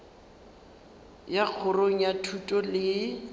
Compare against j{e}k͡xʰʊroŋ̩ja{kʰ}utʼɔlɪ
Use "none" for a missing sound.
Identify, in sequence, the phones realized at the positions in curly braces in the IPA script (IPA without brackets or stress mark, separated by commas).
a, tʰ